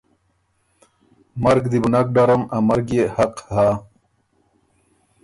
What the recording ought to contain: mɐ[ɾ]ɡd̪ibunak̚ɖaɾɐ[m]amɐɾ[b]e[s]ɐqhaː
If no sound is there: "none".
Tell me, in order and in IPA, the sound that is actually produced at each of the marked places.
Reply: ɾ, m, ɡ, h

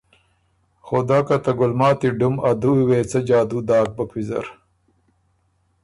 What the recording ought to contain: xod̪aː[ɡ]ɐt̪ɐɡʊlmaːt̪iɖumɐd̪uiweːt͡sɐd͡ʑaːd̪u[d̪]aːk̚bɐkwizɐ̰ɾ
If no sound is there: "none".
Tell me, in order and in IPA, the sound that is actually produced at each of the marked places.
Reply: k, d̪

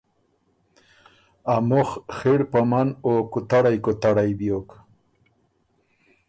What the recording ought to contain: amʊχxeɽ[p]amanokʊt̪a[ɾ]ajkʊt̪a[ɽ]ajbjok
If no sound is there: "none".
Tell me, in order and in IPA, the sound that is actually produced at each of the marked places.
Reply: p, ɽ, ɽ

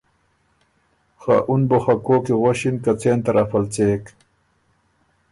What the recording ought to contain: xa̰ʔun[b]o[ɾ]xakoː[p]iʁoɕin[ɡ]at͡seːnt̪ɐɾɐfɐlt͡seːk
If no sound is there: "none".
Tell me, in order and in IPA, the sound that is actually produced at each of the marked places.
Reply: b, none, k, k

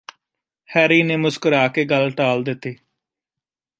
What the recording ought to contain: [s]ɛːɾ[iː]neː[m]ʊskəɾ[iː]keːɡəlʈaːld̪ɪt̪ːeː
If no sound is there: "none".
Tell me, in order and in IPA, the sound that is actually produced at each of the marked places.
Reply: h, iː, m, aː

